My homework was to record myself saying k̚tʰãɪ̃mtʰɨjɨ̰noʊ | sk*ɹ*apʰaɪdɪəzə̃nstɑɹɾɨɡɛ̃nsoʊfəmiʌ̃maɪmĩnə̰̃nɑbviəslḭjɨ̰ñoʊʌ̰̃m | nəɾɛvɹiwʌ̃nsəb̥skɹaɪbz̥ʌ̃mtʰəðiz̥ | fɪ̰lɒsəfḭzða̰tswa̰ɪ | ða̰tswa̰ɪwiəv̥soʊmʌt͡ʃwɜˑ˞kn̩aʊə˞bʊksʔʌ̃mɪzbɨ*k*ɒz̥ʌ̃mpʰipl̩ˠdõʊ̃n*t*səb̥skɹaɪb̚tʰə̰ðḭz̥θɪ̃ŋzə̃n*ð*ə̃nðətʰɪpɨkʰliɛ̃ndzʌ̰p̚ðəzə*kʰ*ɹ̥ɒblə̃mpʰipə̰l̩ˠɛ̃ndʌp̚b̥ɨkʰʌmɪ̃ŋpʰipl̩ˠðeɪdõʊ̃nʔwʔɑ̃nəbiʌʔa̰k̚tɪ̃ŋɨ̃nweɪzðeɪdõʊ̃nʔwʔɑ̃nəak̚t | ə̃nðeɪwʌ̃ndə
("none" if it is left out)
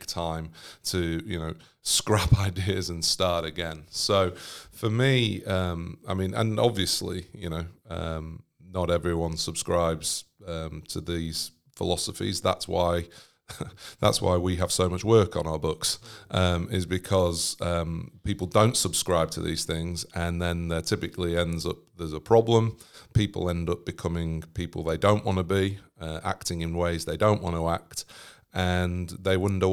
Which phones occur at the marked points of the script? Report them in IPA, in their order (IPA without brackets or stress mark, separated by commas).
ɹ, kʰ, t, ð, pʰ